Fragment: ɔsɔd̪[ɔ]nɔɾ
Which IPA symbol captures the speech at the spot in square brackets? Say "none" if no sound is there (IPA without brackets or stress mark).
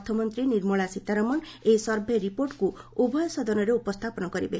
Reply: ɔ